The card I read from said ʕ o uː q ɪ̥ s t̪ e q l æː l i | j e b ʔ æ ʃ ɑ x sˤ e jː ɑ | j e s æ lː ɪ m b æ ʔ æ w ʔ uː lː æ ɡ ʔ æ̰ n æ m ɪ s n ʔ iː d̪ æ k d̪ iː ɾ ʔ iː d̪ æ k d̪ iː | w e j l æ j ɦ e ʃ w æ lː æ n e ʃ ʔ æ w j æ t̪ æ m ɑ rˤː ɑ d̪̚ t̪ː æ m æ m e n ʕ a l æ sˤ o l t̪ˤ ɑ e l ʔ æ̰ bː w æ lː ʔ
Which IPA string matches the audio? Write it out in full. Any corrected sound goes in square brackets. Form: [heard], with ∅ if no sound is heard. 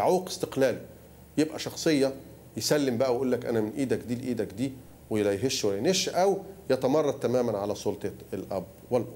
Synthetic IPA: ʕ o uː q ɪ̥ s t̪ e q l æː l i | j e b ʔ æ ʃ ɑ x sˤ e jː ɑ | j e s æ lː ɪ m b æ ʔ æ w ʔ uː lː æ [k] ʔ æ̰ n æ m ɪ [∅] n ʔ iː d̪ æ k d̪ iː [l] ʔ iː d̪ æ k d̪ iː | w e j l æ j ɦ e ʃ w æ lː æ n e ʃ ʔ æ w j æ t̪ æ m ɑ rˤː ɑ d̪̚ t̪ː æ m [æː] m [æ] n ʕ a l æ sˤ o l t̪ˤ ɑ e l ʔ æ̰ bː w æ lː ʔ

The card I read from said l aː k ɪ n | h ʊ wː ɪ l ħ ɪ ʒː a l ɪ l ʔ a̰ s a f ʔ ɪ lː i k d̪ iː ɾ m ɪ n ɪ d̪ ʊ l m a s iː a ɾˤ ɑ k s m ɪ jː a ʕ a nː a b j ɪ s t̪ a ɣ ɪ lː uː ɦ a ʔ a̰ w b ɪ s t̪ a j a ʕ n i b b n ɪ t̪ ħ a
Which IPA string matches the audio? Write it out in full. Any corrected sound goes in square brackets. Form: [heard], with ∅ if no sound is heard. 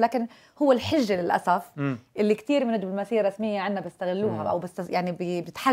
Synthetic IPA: l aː k ɪ n | h ʊ wː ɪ l ħ ɪ ʒː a l ɪ l ʔ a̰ s a f ʔ ɪ lː i k [t̪] iː ɾ m ɪ n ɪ d̪ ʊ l m a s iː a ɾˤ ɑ [∅] s m ɪ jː a ʕ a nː a b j ɪ s t̪ a ɣ ɪ lː uː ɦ a ʔ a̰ w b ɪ s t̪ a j a ʕ n i b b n ɪ t̪ ħ a

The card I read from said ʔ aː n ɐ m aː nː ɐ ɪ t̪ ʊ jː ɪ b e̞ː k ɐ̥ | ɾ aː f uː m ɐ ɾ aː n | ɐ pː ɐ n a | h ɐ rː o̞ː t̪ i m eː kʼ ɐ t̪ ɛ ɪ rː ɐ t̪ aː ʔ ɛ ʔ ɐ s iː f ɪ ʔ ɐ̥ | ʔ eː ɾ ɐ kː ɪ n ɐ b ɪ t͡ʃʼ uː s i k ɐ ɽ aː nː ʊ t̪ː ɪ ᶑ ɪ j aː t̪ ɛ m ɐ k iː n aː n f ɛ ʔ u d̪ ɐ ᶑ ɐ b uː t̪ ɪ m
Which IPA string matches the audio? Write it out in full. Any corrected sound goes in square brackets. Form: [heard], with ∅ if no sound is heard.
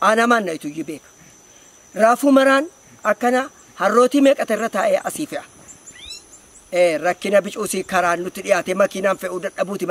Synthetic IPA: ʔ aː n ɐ m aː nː ɐ ɪ t̪ ʊ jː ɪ b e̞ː k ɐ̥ | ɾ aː f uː m ɐ ɾ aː n | ɐ [kː] ɐ n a | h ɐ rː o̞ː t̪ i m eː kʼ ɐ t̪ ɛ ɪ rː ɐ t̪ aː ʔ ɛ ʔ ɐ s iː f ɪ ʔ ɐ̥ | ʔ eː ɾ ɐ kː ɪ n ɐ b ɪ t͡ʃʼ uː s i k ɐ [ɾ] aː nː ʊ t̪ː ɪ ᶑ ɪ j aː t̪ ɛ m ɐ k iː n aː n f ɛ ʔ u d̪ ɐ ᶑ ɐ b uː t̪ ɪ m

